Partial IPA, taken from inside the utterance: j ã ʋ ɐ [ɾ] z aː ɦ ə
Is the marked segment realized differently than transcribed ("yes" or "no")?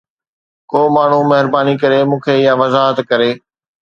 yes